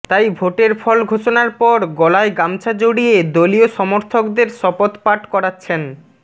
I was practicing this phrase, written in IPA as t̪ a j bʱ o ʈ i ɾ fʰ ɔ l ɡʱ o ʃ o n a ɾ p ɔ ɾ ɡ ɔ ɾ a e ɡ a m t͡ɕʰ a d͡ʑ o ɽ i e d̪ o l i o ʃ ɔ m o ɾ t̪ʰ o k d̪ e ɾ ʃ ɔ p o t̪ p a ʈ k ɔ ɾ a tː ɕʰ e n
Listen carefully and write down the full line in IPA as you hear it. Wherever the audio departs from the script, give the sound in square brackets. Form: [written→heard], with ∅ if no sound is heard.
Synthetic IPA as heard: t̪ a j bʱ o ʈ [i→e] ɾ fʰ ɔ l ɡʱ o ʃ o n a ɾ p ɔ ɾ ɡ ɔ [ɾ→l] a e ɡ a m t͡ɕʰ a d͡ʑ o ɽ i e d̪ o l i o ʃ ɔ m o ɾ t̪ʰ o k d̪ e ɾ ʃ ɔ p o t̪ p a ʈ k ɔ ɾ a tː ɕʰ e n